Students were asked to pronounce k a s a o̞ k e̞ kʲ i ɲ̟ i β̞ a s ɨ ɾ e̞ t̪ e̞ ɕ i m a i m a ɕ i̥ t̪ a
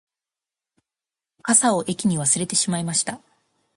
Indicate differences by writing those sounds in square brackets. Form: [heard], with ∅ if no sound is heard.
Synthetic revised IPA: k a s a o̞ [ʔ] e̞ kʲ i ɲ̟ i β̞ a s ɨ ɾ e̞ t̪ e̞ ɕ i m a i m a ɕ i̥ t̪ a